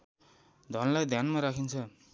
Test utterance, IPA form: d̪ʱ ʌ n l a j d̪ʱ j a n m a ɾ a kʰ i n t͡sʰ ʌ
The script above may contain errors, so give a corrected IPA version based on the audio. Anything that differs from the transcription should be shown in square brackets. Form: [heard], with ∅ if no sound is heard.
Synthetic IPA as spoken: d̪ʱ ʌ n l a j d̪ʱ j a n m a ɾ a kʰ i n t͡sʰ ʌ